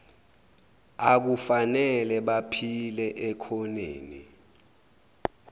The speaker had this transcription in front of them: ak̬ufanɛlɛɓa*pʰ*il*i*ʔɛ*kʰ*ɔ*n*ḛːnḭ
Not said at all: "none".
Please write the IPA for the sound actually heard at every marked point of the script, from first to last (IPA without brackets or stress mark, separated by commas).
pʰ, ɛ, kʰ, n